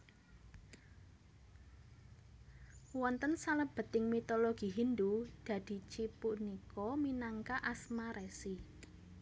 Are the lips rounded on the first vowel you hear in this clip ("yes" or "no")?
yes